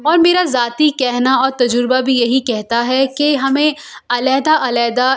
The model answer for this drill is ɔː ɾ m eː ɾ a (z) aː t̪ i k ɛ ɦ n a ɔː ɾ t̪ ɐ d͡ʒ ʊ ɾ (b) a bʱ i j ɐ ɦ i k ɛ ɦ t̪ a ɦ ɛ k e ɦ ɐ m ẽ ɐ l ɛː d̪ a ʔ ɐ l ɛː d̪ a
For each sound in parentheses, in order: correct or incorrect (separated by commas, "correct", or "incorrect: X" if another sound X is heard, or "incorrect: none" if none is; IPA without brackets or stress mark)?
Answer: correct, correct